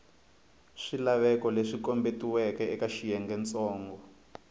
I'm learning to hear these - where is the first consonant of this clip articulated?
retroflex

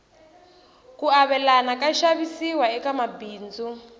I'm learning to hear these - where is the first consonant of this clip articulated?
velum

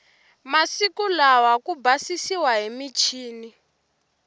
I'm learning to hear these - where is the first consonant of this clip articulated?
lips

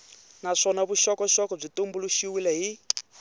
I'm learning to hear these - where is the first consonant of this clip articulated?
tongue tip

